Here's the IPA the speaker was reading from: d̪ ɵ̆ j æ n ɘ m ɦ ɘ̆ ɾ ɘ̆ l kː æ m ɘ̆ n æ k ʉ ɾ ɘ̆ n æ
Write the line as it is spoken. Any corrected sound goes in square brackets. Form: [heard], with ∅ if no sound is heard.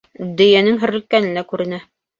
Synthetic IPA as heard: d̪ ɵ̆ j æ n ɘ [ŋ] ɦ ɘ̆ ɾ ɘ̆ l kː æ [n] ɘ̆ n æ k ʉ ɾ ɘ̆ n æ